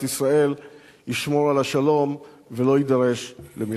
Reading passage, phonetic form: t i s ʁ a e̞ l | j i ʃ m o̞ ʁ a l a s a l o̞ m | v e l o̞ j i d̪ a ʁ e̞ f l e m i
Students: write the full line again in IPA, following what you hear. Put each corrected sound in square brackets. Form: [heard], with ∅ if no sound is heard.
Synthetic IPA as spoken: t i s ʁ a e̞ l | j i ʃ m o̞ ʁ a l a [ʃ] a l o̞ m | v e l o̞ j i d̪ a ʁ e̞ [ʃ] l e m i